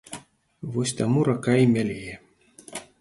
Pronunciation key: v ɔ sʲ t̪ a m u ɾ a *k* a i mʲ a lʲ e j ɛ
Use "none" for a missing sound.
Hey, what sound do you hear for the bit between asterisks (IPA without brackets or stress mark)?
k